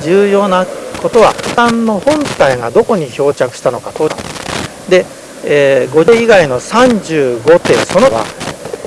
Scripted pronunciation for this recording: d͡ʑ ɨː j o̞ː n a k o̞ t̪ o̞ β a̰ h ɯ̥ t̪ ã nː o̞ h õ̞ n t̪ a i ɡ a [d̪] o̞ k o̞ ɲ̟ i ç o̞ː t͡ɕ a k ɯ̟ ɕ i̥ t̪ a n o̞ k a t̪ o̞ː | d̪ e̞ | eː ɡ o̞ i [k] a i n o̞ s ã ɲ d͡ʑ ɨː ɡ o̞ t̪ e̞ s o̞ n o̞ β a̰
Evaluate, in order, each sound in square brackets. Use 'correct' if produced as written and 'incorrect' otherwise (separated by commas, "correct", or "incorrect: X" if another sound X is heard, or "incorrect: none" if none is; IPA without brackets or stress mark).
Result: correct, incorrect: ɡ